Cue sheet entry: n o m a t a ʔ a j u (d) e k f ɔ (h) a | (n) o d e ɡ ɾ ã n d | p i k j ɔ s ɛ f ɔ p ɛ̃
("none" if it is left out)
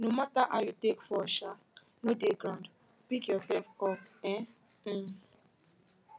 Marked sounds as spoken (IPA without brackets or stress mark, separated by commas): t, ʃ, n